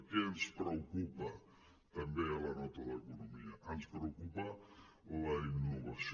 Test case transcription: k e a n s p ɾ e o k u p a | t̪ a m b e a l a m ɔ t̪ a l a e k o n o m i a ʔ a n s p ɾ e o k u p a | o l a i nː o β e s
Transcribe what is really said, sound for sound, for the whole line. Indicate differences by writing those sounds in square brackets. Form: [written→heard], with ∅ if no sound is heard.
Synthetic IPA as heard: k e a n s p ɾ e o k u p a | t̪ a m b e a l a [m→n] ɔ t̪ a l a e k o n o m i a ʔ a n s p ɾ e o k u p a | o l a i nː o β [e→a] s